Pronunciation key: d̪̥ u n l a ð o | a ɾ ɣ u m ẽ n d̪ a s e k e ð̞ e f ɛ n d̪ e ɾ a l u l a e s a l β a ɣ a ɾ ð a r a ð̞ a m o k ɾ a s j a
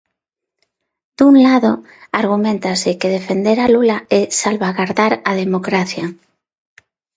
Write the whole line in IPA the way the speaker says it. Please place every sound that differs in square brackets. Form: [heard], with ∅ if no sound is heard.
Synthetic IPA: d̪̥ u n l a ð o | a ɾ ɣ u m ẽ n [t̪] a s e k e ð̞ e f [e] n d̪ e ɾ a l u l a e s a l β a ɣ a ɾ ð a [ɾ] a ð̞ [e] m o k ɾ a [θ] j a

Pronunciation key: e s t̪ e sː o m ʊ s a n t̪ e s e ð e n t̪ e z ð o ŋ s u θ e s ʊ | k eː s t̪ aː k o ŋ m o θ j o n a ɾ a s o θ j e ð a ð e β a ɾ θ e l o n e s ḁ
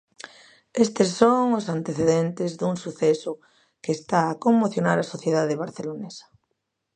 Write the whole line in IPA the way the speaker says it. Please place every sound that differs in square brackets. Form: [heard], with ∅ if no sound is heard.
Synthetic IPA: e s t̪ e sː o [ŋ] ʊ s a n t̪ e [θ] e ð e n t̪ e z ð [u] ŋ s u θ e s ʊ | k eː s t̪ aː k o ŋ m o θ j o n a ɾ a s o θ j e ð a ð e β a ɾ θ e l o n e s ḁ

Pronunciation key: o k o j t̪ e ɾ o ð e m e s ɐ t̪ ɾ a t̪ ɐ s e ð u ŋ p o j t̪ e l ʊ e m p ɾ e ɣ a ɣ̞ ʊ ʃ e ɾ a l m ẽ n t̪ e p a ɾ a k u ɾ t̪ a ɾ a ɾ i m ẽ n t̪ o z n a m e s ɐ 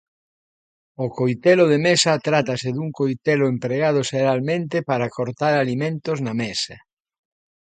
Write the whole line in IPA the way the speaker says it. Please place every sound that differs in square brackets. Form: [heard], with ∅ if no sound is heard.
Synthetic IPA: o k o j t̪ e [l] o ð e m e s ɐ t̪ ɾ a t̪ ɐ s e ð u ŋ [k] o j t̪ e l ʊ e m p ɾ e ɣ a [ð̞] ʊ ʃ e ɾ a l m ẽ n t̪ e p a ɾ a k [o] ɾ t̪ a ɾ a [l] i m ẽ n t̪ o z n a m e s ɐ

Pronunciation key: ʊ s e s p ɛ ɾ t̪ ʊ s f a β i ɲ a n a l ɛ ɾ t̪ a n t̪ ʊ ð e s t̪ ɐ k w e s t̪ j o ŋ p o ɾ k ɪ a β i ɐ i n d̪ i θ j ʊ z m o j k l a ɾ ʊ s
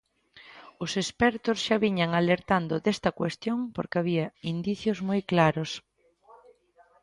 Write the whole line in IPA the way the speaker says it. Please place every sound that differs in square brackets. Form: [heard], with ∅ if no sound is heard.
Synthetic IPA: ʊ s e s p ɛ ɾ t̪ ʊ s [ʃ] a β i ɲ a [ŋ] a l [e] ɾ t̪ a n [d̪] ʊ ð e s t̪ ɐ k w e s t̪ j o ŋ p o ɾ k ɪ a β i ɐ i n d̪ i θ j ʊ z m o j k l a ɾ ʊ s

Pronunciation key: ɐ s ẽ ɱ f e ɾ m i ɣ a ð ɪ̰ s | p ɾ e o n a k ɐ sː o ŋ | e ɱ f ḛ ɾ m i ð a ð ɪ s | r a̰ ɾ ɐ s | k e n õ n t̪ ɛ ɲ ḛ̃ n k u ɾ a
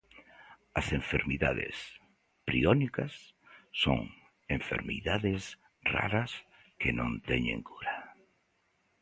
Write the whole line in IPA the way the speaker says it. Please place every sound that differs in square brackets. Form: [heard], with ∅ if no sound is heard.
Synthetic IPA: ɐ s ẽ ɱ f e ɾ m i [ð] a ð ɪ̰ s | p ɾ [i] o n [i] k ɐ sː o ŋ | e ɱ f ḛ ɾ m i ð a ð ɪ s | r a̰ ɾ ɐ s | k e n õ n t̪ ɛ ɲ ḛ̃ [ŋ] k u ɾ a

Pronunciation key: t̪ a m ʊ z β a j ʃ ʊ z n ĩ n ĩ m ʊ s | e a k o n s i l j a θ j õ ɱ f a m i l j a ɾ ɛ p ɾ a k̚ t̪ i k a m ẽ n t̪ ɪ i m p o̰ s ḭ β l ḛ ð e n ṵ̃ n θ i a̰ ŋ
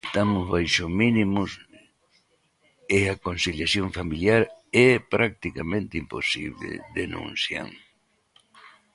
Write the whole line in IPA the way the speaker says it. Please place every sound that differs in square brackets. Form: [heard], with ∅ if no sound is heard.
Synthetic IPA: t̪ a m ʊ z β a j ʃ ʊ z [m] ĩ n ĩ m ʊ s | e a k o n s i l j a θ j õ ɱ f a m i l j a ɾ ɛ p ɾ a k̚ t̪ i k a m ẽ n t̪ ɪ i m p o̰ s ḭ β l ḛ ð e n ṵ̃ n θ [j] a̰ ŋ

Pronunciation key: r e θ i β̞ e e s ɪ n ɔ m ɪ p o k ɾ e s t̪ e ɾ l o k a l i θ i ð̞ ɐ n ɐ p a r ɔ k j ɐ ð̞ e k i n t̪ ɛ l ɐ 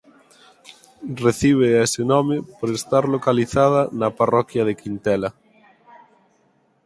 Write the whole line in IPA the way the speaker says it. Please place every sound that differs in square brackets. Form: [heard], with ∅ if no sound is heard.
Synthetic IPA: r e θ i β̞ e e s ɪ n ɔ m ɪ p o [∅] ɾ e s t̪ [a] ɾ l o k a l i θ [a] ð̞ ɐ n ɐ p a r ɔ k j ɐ ð̞ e k i n t̪ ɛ l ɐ

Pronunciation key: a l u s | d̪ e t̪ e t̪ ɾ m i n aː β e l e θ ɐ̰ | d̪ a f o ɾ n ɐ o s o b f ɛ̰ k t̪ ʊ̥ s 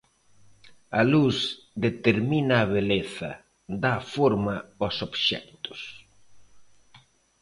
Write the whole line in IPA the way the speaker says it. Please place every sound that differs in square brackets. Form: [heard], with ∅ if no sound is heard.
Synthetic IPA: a l u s | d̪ e t̪ e [∅] ɾ m i n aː β e l e θ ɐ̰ | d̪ a f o ɾ [m] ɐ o s o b [ʃ] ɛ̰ k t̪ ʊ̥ s

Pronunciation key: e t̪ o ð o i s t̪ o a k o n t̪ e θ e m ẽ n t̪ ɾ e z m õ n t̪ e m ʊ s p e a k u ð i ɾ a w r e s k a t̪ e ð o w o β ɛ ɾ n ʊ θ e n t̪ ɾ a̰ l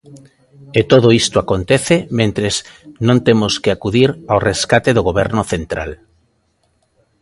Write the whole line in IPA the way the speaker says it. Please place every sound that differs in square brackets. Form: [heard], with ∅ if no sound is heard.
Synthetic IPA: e t̪ o ð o i s t̪ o a k o n t̪ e θ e m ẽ n t̪ ɾ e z [n] õ n t̪ e m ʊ s [k] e a k u ð i ɾ a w r e s k a t̪ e ð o [ɣ] o β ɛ ɾ n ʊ θ e n t̪ ɾ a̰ l

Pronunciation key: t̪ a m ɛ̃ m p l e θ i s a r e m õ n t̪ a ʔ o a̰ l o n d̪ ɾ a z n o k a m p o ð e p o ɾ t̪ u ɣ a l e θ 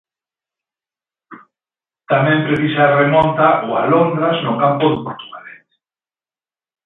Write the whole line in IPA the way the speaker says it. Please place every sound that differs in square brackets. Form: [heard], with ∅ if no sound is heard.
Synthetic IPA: t̪ a m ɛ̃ m p [ɾ] e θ i s a r e m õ n t̪ a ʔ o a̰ l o n d̪ ɾ a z n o k a m p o ð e p o ɾ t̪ u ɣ a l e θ

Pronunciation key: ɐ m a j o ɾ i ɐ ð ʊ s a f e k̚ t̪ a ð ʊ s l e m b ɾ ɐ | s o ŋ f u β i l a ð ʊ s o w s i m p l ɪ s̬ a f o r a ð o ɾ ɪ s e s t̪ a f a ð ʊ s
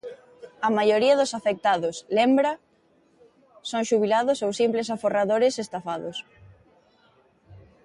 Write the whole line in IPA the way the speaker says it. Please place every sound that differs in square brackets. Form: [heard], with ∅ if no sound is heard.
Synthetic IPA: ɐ m a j o ɾ i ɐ ð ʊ s a f e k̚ t̪ a ð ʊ s l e m b ɾ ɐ | s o ŋ [ʃ] u β i l a ð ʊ s o w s i m p l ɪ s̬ a f o r a ð o ɾ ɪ s e s t̪ a f a ð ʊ s

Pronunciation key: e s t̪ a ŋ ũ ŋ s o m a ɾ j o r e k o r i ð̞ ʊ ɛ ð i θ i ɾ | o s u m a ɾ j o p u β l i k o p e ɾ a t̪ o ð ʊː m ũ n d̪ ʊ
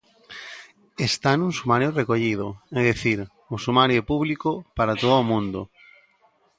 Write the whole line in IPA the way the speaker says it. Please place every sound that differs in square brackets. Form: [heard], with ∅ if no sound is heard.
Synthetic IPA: e s t̪ a [n] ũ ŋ s [u] m a ɾ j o r e k o [ʎ] i ð̞ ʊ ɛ ð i θ i ɾ | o s u m a ɾ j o p u β l i k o p [a] ɾ a t̪ o ð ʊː m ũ n d̪ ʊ

